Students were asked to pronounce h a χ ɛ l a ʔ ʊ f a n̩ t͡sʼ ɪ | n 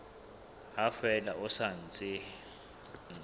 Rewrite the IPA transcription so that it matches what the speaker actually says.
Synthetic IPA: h a f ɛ l a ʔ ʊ s a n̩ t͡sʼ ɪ | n